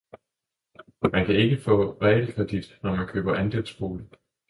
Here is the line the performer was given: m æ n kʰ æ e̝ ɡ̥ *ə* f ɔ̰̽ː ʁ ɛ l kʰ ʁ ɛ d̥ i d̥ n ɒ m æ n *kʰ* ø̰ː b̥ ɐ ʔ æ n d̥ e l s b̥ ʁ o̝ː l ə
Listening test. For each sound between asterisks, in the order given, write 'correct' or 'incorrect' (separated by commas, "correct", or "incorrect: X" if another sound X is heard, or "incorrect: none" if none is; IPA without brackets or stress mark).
correct, correct